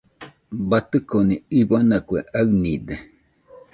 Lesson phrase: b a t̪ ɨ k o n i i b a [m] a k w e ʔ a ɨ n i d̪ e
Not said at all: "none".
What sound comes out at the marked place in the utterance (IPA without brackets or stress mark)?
n